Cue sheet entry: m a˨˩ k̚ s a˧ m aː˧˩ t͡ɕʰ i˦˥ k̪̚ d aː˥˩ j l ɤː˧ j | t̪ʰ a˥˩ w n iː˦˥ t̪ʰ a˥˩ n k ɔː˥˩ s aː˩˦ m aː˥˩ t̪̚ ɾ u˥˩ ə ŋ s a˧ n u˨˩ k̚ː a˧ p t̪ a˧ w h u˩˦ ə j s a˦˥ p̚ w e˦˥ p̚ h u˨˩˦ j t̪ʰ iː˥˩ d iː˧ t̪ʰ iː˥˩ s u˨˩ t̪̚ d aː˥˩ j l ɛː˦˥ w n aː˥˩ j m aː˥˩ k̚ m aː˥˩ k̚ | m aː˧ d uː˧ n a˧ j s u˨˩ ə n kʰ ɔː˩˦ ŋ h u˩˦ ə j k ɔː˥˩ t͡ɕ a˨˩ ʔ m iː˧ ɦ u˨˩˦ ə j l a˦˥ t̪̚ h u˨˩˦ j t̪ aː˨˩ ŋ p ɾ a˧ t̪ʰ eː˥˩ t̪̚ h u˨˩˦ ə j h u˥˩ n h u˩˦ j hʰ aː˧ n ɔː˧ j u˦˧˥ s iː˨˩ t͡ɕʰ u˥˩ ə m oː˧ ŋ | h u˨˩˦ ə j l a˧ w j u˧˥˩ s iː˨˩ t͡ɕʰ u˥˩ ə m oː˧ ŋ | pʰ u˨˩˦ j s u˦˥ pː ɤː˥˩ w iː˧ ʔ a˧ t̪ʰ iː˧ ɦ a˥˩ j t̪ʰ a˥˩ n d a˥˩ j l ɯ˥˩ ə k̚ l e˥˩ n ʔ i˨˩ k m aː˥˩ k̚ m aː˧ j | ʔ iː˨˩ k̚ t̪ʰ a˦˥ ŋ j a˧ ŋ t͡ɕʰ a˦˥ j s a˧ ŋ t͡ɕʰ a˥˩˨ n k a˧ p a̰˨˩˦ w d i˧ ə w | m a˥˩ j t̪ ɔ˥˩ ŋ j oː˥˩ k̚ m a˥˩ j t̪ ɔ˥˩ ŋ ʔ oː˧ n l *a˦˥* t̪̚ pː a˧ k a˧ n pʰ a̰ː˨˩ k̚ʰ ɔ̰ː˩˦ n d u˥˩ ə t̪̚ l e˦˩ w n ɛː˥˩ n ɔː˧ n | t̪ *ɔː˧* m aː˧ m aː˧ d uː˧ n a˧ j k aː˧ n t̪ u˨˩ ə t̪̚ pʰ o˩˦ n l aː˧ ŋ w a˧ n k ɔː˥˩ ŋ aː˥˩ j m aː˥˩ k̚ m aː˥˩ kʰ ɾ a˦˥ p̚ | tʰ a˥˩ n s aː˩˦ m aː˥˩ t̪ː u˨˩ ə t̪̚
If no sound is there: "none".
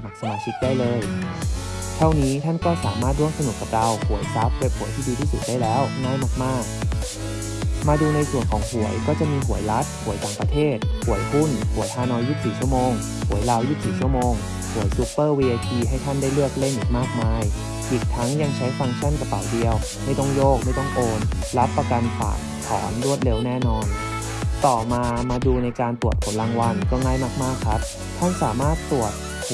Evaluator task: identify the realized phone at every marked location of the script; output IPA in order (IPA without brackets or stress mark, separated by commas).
a˦˥, ɔː˨˩